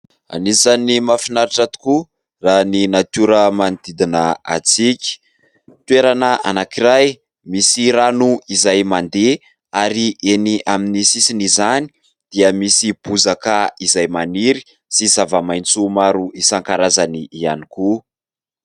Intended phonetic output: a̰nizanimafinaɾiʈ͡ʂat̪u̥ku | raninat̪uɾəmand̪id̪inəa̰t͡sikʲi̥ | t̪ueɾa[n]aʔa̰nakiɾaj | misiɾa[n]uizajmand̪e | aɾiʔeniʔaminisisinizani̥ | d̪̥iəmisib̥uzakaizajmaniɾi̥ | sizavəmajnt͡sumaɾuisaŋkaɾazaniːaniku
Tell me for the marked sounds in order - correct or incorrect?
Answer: correct, correct

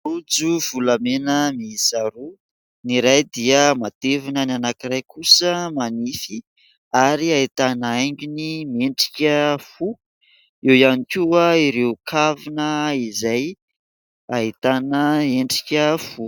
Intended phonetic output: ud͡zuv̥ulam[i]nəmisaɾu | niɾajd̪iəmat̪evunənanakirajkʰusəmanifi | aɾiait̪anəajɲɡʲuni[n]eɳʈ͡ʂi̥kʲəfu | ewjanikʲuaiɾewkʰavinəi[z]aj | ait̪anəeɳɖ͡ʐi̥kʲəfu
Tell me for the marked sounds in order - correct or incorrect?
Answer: incorrect, incorrect, correct

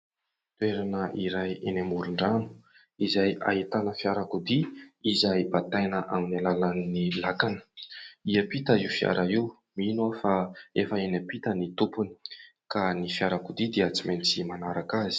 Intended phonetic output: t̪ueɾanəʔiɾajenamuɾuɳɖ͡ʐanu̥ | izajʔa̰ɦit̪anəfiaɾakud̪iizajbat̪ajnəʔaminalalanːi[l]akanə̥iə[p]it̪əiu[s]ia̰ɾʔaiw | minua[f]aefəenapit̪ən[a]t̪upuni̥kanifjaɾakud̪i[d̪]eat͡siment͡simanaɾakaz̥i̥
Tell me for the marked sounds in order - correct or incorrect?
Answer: correct, correct, incorrect, correct, incorrect, correct

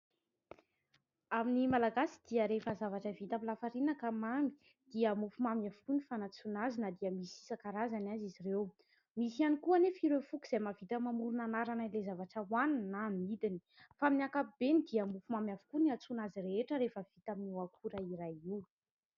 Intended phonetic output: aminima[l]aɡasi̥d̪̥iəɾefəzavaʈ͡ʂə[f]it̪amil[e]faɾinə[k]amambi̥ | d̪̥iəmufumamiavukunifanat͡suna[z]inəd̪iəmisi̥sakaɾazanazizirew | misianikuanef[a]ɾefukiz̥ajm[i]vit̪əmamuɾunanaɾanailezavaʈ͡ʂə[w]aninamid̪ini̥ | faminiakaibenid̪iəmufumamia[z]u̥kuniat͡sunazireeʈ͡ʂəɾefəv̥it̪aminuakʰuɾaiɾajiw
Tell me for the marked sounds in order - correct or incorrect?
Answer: correct, incorrect, incorrect, correct, correct, incorrect, incorrect, correct, incorrect

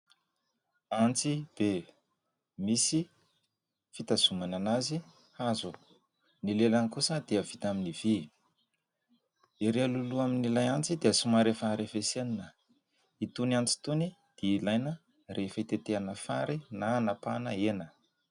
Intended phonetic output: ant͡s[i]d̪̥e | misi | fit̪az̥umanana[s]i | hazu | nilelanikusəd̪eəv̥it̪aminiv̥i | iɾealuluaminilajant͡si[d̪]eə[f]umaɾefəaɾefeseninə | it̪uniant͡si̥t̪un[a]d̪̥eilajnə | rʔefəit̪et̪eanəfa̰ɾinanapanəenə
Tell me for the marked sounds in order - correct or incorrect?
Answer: correct, incorrect, correct, incorrect, incorrect

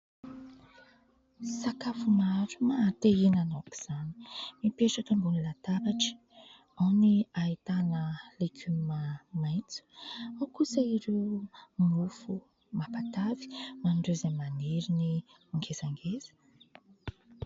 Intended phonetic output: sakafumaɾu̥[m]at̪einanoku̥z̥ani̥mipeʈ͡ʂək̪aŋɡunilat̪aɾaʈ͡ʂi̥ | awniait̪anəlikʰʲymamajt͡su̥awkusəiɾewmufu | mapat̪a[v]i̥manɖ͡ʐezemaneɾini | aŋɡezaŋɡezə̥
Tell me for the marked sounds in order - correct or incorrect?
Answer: correct, correct

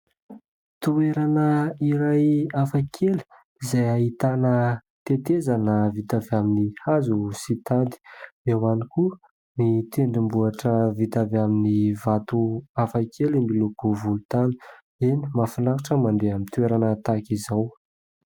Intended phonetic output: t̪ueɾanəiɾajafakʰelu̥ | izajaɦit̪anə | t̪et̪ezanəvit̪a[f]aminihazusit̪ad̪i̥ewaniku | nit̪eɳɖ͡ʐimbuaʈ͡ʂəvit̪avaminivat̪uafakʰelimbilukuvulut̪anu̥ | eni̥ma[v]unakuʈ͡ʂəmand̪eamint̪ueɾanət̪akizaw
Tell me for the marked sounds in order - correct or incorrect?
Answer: incorrect, incorrect

